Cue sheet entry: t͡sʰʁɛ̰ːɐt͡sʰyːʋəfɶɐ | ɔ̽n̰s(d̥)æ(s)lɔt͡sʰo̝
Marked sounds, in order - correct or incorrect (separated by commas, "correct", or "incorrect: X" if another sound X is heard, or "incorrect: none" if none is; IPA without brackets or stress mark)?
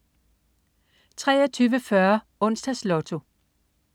correct, correct